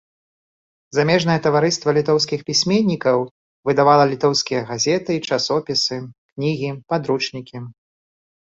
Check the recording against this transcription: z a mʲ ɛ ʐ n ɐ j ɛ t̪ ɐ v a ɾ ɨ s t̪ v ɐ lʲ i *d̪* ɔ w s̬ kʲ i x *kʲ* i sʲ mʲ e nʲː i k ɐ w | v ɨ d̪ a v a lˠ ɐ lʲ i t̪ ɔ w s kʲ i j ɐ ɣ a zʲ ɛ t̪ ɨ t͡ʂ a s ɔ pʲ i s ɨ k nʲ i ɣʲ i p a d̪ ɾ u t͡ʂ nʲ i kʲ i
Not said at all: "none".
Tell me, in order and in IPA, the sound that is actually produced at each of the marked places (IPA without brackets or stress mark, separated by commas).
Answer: t̪, pʲ